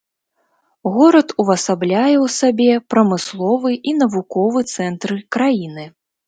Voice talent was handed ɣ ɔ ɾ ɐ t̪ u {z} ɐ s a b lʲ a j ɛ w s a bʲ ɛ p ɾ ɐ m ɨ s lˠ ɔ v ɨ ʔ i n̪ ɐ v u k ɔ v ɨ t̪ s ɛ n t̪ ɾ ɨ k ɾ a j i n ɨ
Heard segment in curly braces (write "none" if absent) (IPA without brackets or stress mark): v